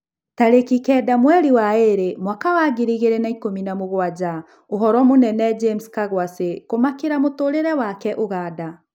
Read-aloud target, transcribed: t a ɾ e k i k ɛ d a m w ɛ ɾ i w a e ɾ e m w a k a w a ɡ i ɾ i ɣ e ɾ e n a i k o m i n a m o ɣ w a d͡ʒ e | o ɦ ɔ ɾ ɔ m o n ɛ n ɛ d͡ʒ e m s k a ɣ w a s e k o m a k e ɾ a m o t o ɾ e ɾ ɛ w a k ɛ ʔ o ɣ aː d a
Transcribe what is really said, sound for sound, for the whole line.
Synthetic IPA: t a ɾ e k i k ɛ d a m w ɛ ɾ i w a e ɾ e m w a k a w a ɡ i ɾ i ɣ e ɾ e n a i k o m i n a m o ɣ w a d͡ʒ a | o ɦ ɔ ɾ ɔ m o n ɛ n ɛ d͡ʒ e m s k a ɣ w a s e k o m a k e ɾ a m o t o ɾ e ɾ ɛ w a k ɛ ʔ o ɣ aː d a